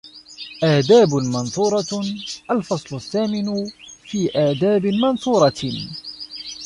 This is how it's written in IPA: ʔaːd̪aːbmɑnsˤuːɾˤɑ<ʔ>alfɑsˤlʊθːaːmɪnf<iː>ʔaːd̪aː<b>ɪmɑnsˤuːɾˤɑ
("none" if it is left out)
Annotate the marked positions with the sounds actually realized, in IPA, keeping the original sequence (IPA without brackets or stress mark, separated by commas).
ʔ, iː, b